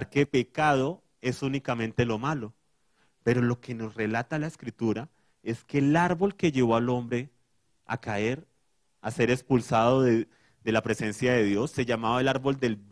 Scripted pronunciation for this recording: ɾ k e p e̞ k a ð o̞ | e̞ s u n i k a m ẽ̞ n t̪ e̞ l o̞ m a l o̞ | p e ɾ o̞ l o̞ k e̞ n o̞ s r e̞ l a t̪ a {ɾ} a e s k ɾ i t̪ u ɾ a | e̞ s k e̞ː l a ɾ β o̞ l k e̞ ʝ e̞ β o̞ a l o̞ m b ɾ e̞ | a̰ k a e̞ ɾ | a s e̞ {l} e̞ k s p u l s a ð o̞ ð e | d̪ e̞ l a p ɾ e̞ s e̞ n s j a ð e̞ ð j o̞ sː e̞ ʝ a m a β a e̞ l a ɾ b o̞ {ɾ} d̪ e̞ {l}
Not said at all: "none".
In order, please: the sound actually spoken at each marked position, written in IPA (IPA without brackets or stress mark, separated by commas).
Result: l, ɾ, l, l